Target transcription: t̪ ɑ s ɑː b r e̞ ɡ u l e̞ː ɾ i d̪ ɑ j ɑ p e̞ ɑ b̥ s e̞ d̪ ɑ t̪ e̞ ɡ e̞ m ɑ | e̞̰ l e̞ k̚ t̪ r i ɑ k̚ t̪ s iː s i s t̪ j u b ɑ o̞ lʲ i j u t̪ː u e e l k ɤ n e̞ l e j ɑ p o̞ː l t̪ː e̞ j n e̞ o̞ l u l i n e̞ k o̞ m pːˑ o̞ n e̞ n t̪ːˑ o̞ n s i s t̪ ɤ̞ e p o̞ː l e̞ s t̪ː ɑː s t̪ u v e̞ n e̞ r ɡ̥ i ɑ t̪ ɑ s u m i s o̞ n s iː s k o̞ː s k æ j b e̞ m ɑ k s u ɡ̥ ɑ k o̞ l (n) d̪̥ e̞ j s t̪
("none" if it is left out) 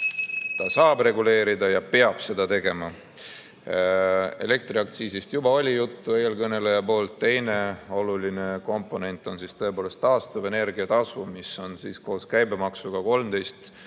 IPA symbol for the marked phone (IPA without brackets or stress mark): m